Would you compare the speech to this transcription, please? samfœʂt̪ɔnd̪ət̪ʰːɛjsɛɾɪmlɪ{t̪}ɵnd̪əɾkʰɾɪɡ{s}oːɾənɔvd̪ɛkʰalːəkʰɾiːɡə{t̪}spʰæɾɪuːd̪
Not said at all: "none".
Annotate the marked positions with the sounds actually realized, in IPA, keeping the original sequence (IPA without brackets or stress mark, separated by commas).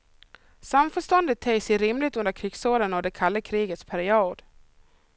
t̪, s, t̪